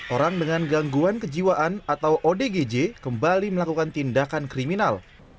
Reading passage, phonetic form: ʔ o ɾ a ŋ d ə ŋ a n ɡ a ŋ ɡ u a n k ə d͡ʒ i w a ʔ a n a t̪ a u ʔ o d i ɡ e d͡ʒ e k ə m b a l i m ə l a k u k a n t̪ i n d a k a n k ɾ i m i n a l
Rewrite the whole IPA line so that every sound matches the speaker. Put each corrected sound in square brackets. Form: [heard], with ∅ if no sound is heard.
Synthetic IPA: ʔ o ɾ a ŋ d ə ŋ a n ɡ a ŋ ɡ u a n k ə d͡ʒ i w a ʔ a n a t̪ a [w] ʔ o d [e] ɡ e d͡ʒ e k ə m b a l i m ə l a k u k a n t̪ i n d a k a n k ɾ i m i n a l